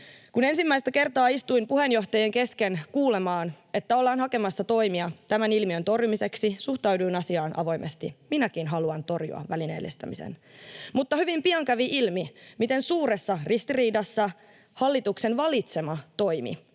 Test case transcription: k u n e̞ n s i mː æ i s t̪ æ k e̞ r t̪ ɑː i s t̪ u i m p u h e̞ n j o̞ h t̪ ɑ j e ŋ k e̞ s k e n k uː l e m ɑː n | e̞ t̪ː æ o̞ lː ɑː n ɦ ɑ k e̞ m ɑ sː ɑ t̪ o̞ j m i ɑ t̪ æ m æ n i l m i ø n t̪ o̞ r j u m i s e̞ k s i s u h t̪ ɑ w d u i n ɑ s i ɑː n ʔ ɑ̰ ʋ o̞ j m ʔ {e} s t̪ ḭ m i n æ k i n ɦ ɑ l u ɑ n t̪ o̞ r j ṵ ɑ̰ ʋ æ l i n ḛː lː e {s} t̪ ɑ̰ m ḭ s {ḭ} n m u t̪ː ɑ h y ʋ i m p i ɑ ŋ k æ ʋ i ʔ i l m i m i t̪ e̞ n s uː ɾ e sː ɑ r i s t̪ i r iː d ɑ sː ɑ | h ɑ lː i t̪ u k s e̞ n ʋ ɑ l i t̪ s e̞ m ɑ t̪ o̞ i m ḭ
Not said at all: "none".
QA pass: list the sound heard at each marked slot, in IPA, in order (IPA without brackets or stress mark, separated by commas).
e, s, ḛ